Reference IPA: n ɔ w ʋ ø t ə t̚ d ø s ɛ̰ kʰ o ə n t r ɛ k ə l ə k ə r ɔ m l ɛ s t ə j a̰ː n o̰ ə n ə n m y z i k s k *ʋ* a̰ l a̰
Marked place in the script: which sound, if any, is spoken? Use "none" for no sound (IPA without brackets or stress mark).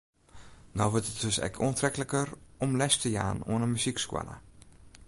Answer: w